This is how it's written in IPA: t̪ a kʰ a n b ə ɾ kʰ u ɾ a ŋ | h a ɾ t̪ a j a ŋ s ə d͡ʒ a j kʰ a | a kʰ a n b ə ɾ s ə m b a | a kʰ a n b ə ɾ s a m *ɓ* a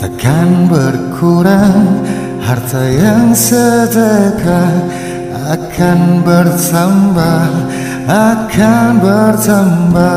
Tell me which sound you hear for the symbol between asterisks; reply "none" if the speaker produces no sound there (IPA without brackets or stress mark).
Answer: b